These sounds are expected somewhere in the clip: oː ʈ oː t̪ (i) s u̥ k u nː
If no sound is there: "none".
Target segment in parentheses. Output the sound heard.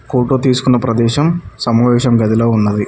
iː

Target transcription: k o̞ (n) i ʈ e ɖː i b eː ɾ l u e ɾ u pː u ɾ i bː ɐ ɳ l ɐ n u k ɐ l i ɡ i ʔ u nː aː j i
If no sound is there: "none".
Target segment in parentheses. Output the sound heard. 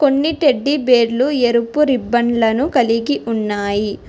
nː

